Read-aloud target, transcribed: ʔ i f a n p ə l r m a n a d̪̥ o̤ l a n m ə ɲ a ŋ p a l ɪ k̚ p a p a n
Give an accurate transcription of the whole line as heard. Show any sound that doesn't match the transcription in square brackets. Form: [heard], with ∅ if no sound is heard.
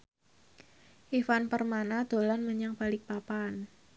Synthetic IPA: ʔ i f a n p ə [∅] r m a n a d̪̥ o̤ l a n m ə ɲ a ŋ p a l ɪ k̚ p a p a n